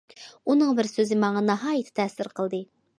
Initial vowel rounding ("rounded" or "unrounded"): rounded